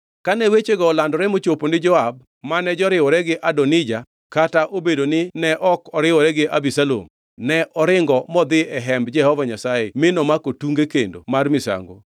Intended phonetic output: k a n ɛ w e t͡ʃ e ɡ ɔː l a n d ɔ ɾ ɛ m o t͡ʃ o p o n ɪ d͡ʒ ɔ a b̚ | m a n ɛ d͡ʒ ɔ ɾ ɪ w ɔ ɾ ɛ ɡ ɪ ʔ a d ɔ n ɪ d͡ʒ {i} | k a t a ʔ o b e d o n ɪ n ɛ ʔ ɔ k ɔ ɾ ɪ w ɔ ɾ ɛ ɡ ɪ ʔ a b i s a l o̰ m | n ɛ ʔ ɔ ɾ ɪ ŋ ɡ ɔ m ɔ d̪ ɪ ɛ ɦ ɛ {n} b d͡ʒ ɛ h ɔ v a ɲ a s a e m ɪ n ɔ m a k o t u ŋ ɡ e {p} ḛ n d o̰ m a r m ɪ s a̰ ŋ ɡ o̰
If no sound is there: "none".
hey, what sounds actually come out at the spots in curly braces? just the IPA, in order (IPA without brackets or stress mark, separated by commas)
a, m, k